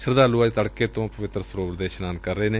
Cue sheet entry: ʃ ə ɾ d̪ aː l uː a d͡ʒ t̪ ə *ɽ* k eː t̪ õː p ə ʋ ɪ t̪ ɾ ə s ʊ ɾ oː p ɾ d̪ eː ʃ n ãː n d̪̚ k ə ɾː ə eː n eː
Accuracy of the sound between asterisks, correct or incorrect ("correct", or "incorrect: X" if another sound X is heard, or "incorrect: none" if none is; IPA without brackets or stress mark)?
correct